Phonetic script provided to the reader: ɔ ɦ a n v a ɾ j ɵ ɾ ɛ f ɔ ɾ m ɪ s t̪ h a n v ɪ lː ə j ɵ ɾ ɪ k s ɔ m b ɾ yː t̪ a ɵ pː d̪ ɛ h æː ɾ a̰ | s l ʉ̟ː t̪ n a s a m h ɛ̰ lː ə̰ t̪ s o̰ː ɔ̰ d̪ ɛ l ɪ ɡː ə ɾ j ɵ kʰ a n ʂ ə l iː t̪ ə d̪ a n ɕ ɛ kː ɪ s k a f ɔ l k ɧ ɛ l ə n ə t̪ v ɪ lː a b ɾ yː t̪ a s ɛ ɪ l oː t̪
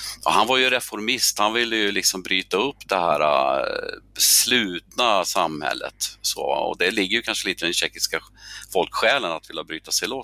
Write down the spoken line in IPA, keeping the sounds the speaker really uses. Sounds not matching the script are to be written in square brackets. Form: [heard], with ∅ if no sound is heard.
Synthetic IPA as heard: ɔ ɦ a n v a ɾ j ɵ ɾ ɛ f ɔ ɾ m ɪ s t̪ h a n v ɪ lː ə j ɵ [l] ɪ k s ɔ m b ɾ yː t̪ a ɵ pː d̪ ɛ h æː ɾ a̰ | s l ʉ̟ː t̪ n a s a m h ɛ̰ lː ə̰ t̪ s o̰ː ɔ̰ d̪ ɛ l ɪ ɡː ə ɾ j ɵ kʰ a n ʂ ə l iː t̪ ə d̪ [ɛ] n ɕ ɛ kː ɪ s k a f ɔ l k ɧ [ɛː] l ə n [a] t̪ v ɪ lː a b ɾ yː t̪ a s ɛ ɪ l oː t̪